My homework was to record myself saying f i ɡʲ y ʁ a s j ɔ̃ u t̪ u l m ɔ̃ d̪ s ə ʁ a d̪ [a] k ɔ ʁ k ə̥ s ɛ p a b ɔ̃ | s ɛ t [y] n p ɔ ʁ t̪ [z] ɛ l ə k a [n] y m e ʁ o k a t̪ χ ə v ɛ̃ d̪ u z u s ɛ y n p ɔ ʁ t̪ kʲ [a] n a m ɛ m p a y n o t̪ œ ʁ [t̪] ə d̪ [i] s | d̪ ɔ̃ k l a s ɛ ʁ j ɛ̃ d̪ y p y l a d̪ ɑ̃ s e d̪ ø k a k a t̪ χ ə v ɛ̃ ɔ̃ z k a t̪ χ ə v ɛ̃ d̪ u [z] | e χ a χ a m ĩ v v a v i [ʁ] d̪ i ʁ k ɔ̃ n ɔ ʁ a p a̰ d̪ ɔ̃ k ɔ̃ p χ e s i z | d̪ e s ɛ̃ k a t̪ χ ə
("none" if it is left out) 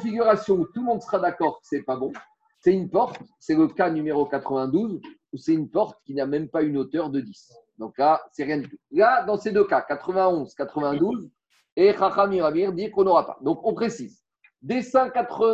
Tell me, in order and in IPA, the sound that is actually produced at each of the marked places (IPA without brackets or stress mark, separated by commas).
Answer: a, y, s, n, i, d̪, i, z, ʁ